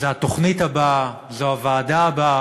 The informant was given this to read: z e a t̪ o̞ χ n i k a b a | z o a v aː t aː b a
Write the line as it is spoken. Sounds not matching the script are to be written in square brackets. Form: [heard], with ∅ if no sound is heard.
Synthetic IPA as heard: z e a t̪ o̞ χ n i [t] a b a | z o a v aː [d] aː b a